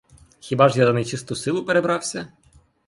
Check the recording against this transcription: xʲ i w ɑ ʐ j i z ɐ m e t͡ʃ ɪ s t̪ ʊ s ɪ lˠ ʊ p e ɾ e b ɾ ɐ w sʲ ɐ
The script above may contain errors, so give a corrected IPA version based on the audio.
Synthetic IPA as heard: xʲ i b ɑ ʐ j a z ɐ n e t͡ʃ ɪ s t̪ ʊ s ɪ lˠ ʊ p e ɾ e b ɾ ɑ w sʲ ɐ